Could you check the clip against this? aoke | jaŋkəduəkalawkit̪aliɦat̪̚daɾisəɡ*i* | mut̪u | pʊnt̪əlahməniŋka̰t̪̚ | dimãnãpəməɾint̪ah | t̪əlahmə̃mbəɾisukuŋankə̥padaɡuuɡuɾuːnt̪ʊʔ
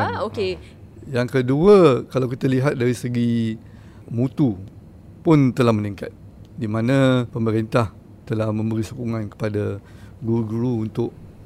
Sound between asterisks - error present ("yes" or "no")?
no